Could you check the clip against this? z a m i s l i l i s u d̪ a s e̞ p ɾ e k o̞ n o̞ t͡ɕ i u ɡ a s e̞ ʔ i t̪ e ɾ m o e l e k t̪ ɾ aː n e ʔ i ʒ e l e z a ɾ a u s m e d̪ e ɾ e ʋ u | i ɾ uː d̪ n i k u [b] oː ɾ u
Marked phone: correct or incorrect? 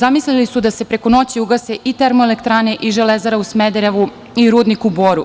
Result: correct